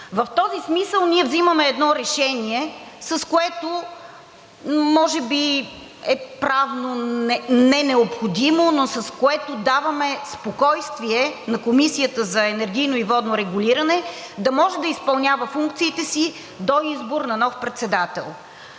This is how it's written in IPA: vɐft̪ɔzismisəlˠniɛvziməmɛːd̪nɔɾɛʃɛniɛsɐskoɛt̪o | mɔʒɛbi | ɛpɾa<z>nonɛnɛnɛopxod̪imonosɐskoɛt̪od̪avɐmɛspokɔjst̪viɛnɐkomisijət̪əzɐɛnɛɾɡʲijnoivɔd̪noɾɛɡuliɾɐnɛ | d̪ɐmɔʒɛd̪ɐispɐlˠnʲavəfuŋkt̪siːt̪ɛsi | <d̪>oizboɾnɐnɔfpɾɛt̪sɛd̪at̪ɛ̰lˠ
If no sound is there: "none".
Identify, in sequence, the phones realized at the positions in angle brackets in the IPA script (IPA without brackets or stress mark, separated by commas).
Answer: v, d̪